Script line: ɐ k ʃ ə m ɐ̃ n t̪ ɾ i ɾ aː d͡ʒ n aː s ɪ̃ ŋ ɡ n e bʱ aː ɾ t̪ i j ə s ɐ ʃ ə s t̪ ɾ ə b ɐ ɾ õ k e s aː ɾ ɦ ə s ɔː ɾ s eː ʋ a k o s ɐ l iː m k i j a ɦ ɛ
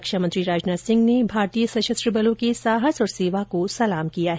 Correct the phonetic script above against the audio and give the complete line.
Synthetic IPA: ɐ k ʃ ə m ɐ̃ n t̪ ɾ i ɾ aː d͡ʒ n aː s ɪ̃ ŋ ɡ n e bʱ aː ɾ t̪ i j ə s ɐ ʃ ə s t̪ ɾ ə b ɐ l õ k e s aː ɦ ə s ɔː ɾ s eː ʋ a k o s ɐ l aː m k i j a ɦ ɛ